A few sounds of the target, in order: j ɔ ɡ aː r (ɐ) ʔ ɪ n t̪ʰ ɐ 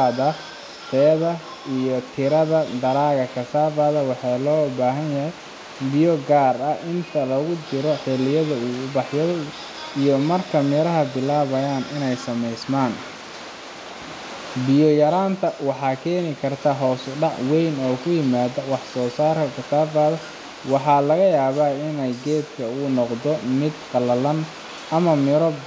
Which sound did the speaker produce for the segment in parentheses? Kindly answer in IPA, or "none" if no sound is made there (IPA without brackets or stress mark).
ɐ